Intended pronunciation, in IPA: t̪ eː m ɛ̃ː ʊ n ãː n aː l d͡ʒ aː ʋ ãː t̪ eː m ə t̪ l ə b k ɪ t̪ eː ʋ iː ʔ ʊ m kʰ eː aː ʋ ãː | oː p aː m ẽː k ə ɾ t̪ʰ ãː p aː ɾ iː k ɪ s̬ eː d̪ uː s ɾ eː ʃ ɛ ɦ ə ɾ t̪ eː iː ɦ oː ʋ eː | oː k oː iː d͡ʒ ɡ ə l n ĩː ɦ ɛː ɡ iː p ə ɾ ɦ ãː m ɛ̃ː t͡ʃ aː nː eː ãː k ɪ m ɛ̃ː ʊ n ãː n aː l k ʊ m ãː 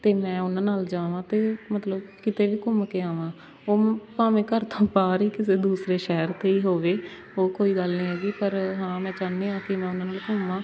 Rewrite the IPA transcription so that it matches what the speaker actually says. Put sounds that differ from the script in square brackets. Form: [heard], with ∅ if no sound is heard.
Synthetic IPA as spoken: t̪ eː m ɛ̃ː ʊ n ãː n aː l d͡ʒ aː ʋ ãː t̪ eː m ə t̪ l ə b k ɪ t̪ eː ʋ iː [k] ʊ m [k] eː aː ʋ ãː | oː p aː m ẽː k ə ɾ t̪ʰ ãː p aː ɾ iː k ɪ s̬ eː d̪ uː s ɾ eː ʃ ɛ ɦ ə ɾ t̪ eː iː ɦ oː ʋ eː | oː k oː iː [∅] ɡ ə l n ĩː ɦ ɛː ɡ iː p ə ɾ ɦ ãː m ɛ̃ː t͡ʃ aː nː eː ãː k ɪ m ɛ̃ː ʊ n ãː n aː l k ʊ m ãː